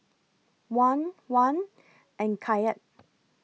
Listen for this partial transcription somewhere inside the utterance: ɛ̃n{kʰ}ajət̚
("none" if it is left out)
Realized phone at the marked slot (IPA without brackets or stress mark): kʰ